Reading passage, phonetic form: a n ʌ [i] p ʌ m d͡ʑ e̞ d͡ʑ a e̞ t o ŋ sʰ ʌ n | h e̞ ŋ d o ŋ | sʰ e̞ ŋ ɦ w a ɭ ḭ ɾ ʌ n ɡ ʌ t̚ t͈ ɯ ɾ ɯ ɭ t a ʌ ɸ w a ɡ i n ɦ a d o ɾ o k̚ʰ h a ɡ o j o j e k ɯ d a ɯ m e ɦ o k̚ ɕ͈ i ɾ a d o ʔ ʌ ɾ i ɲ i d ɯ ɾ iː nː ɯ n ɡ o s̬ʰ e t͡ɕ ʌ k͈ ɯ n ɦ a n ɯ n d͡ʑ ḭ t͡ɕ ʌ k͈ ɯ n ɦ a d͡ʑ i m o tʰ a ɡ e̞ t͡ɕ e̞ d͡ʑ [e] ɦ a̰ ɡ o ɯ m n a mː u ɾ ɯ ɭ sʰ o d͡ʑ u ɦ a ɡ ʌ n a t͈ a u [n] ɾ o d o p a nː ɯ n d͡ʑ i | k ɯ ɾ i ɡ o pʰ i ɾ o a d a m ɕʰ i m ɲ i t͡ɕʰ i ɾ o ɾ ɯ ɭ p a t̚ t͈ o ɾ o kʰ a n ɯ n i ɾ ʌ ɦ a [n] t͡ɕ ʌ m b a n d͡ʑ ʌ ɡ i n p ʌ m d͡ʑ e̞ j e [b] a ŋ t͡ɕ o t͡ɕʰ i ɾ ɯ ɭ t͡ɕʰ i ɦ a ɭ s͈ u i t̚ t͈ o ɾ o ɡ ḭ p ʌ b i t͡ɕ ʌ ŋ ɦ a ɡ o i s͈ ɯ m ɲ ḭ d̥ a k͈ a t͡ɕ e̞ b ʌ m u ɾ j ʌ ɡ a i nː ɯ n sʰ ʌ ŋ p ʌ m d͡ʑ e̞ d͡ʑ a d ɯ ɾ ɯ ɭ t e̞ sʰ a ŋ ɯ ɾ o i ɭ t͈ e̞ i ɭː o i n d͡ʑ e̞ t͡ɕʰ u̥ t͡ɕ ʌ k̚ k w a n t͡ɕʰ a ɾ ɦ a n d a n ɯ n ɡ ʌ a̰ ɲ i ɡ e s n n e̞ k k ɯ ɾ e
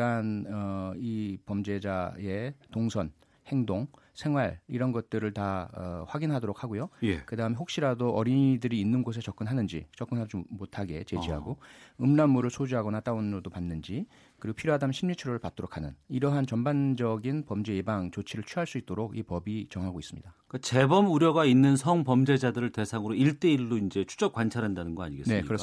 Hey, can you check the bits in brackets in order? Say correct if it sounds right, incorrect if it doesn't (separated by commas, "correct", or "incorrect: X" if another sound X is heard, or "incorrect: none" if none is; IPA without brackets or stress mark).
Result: correct, incorrect: i, correct, correct, correct